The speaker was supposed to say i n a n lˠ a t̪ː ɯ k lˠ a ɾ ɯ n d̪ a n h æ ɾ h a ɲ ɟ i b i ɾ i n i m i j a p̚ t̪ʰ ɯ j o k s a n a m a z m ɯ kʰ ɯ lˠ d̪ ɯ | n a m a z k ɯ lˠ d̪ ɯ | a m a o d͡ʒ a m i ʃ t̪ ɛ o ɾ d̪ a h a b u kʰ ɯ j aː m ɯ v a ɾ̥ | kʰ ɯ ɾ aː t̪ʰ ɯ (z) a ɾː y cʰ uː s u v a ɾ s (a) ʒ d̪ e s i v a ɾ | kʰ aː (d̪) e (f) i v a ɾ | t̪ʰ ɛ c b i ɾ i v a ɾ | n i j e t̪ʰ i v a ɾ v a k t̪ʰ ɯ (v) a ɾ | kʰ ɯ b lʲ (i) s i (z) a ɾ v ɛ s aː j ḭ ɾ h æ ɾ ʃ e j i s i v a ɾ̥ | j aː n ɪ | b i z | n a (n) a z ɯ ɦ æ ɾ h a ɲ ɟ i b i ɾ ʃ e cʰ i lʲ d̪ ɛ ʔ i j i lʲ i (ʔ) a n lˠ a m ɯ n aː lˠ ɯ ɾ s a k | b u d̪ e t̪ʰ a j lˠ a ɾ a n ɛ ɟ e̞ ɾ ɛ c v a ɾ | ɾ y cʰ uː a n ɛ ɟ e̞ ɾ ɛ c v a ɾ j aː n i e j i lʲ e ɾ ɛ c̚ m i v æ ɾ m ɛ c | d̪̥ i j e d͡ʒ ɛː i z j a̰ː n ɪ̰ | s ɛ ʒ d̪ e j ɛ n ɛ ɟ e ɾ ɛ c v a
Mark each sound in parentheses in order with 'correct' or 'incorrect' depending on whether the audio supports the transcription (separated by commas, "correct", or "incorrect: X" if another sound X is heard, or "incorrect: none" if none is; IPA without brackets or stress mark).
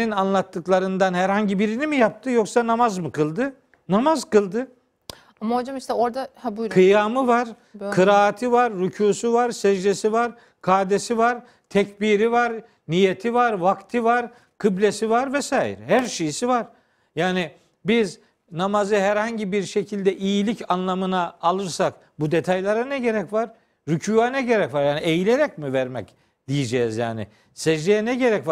incorrect: v, incorrect: ɛ, correct, incorrect: s, correct, incorrect: e, incorrect: v, incorrect: m, incorrect: c